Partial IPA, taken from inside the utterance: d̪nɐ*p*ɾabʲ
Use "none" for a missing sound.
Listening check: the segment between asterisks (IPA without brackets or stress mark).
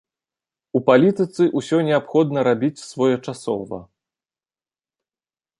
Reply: none